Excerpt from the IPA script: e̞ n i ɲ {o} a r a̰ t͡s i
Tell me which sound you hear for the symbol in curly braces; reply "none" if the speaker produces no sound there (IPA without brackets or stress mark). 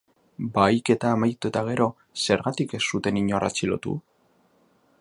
o